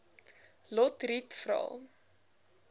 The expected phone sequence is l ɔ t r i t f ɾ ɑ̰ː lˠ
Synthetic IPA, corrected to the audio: l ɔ t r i t f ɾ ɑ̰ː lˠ